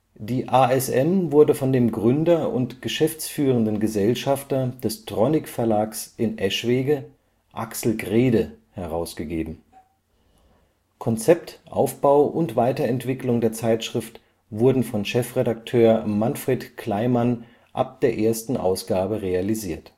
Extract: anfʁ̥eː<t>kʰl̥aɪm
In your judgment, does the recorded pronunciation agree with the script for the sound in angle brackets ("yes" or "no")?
yes